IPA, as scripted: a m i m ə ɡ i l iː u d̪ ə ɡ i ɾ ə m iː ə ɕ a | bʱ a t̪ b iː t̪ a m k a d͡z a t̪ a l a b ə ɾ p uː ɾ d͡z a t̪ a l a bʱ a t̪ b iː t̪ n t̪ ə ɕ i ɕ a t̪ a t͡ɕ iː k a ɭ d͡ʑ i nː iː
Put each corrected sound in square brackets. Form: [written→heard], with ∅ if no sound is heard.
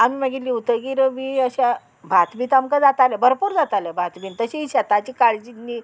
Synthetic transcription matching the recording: a m i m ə ɡ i l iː u [d̪→t̪] ə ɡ i ɾ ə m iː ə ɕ a | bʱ a t̪ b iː t̪ a m k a d͡z a t̪ a l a b ə ɾ p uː ɾ d͡z a t̪ a l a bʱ a t̪ b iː [t̪→∅] n t̪ ə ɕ i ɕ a t̪ a t͡ɕ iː k a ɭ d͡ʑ i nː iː